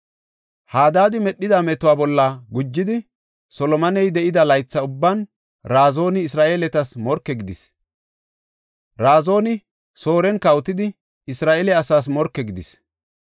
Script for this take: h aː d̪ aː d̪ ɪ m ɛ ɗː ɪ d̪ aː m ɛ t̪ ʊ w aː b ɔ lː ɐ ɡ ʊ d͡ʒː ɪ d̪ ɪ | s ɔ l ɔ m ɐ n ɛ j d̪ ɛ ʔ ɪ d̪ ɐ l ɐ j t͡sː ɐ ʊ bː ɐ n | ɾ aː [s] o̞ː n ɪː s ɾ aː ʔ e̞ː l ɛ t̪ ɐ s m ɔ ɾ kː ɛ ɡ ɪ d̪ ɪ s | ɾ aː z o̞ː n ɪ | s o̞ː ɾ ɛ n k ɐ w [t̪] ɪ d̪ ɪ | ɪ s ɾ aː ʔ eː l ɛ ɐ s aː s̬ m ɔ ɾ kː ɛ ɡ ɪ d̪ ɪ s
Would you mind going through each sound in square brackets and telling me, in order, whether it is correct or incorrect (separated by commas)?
incorrect, correct